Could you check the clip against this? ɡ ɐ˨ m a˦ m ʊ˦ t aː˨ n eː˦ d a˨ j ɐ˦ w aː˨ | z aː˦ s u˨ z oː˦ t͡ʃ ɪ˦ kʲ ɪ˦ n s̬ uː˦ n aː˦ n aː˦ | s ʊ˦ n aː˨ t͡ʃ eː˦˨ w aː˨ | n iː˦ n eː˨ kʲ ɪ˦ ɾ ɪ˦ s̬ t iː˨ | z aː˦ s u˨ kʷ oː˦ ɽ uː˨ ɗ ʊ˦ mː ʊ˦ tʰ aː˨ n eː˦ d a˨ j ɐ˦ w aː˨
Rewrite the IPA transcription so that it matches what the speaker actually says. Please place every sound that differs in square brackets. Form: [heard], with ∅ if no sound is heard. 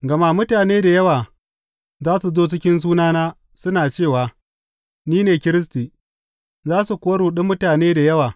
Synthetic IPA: ɡ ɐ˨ m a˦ m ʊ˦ t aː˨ n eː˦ d a˨ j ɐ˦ w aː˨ | z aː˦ s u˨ z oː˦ t͡ʃ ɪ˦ kʲ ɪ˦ n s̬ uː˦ n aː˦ n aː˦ | s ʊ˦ n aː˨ t͡ʃ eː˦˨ w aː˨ | n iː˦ n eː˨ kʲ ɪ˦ ɾ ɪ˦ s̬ t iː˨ | z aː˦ s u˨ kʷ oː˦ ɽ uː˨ ɗ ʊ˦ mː ʊ˦ [t] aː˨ n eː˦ d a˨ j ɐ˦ w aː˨